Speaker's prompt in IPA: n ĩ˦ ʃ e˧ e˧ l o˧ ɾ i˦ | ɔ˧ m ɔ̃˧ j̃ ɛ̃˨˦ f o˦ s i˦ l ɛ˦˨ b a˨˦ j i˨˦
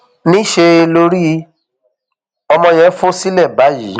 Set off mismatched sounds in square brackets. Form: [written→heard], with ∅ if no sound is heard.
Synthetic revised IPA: n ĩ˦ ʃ e˧ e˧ l o˧ ɾ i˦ | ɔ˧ m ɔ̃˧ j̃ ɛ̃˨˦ f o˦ s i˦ l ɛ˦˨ b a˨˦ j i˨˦